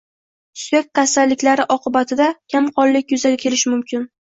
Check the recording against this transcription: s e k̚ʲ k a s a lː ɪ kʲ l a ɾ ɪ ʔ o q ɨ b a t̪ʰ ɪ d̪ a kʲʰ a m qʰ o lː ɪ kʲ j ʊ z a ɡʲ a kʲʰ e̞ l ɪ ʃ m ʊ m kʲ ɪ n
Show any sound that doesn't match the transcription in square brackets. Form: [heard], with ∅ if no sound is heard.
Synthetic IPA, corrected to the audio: s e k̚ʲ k a s a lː ɪ kʲ l a ɾ ɪ ʔ [ɒ] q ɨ b a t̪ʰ ɪ d̪ a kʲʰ a m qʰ [ɒ] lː ɪ kʲ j ʊ z a ɡʲ a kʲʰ e̞ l ɪ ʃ m ʊ m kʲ ɪ n